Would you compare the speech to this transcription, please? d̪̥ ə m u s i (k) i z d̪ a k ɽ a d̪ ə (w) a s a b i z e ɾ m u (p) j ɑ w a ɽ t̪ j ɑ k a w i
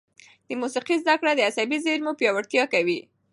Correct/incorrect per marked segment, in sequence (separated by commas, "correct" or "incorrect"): incorrect, incorrect, correct